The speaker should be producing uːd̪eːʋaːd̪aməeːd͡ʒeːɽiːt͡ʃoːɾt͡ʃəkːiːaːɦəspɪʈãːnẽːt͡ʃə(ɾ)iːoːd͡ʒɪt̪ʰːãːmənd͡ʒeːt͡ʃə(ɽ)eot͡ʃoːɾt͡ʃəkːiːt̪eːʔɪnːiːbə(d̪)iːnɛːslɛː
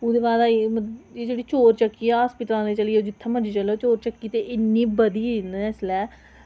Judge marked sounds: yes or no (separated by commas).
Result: no, no, yes